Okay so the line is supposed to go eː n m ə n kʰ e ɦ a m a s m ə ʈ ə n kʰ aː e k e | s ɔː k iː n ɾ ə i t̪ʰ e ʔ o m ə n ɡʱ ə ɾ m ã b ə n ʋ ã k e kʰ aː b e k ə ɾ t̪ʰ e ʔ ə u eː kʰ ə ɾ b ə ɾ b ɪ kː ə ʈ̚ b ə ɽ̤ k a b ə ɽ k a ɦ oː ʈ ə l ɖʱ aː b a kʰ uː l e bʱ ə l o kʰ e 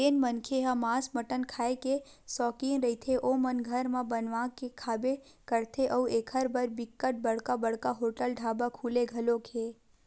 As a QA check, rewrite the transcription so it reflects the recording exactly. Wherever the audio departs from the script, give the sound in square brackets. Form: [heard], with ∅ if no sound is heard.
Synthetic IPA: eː n m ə n kʰ e ɦ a m a s m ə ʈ ə n kʰ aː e k e | s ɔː k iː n ɾ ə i t̪ʰ e ʔ o m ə n ɡʱ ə ɾ m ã b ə n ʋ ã k e kʰ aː b e k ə ɾ t̪ʰ e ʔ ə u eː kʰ ə ɾ b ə ɾ b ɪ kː ə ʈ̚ b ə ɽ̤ k a b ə ɽ k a ɦ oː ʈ ə l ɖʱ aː b a kʰ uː l e [ɡʱ] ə l o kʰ e

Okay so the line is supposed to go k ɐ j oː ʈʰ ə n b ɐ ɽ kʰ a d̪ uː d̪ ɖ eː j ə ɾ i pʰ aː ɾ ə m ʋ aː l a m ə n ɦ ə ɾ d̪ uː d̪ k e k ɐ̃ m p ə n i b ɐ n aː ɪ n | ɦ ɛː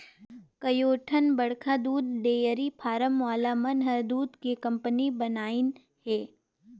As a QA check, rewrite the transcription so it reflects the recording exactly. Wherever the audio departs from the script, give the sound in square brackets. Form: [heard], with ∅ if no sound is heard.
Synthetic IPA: k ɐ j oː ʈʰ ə n b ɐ ɽ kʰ a d̪ uː d̪ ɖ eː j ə ɾ i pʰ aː ɾ ə m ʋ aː l a m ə n ɦ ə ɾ d̪ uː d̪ k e k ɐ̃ m p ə n i b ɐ n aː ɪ n | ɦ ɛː

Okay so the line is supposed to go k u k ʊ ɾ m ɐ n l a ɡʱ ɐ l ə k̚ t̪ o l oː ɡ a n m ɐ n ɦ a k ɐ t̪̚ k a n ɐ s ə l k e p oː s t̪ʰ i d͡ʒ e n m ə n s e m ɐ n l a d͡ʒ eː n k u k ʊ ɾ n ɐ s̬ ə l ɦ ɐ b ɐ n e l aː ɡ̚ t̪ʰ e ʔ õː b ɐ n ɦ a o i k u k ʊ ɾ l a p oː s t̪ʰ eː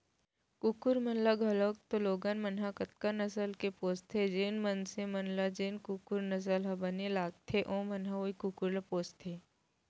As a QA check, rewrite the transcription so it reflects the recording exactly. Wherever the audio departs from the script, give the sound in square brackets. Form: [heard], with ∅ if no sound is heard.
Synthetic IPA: k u k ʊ ɾ m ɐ n l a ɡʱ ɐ l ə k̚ t̪ o l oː ɡ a n m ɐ n ɦ a k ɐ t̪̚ k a n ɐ s ə l k e p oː s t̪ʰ [e] d͡ʒ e n m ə n s e m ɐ n l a d͡ʒ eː n k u k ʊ ɾ n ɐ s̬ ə l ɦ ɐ b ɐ n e l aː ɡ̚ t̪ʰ e ʔ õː [m] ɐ n ɦ a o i k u k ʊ ɾ l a p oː s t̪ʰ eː

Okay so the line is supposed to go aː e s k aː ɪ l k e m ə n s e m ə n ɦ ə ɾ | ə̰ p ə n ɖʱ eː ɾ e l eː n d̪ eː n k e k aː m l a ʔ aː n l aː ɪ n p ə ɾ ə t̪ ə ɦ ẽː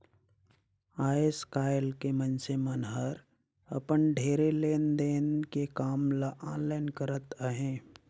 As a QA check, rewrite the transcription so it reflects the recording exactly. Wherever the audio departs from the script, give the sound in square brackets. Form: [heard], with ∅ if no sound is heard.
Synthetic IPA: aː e s k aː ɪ l k e m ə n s e m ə n ɦ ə ɾ | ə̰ p ə n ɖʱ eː ɾ e l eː n d̪ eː n k e k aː m l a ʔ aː n l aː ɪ n [k] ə ɾ ə t̪ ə ɦ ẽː

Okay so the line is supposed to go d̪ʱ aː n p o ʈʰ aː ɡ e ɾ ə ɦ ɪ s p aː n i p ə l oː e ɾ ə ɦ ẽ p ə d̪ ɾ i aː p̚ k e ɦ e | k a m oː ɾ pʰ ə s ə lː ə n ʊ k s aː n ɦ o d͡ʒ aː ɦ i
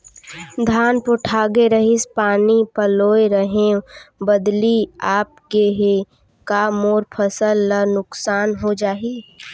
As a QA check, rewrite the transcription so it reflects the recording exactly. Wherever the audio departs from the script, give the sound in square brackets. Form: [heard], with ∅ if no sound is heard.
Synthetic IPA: d̪ʱ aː n p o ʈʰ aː ɡ e ɾ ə ɦ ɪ s p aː n i p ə l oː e ɾ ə ɦ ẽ [b] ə d̪ [l] i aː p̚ k e ɦ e | k a m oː ɾ pʰ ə s ə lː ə n ʊ k s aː n ɦ o d͡ʒ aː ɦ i

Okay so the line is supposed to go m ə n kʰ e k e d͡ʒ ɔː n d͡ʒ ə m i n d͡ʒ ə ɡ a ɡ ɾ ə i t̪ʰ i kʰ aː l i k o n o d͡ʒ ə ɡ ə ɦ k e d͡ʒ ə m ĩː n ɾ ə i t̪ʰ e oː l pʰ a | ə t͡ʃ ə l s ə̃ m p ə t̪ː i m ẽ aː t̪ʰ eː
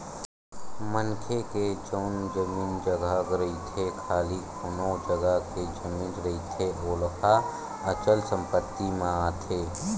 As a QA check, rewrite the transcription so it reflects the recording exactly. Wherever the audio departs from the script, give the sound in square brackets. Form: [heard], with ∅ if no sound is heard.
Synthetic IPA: m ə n kʰ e k e d͡ʒ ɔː n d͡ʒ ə m [iː] n d͡ʒ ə ɡ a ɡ ɾ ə i t̪ʰ [e] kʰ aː l i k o n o d͡ʒ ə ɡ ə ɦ k e d͡ʒ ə m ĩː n ɾ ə i t̪ʰ e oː l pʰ a | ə t͡ʃ ə l s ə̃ m p ə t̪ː i m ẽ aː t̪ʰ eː

